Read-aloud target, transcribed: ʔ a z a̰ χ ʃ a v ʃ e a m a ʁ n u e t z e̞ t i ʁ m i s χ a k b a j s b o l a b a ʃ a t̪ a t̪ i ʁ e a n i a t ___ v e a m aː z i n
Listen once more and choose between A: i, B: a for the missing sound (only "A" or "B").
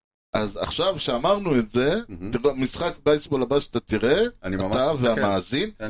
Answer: B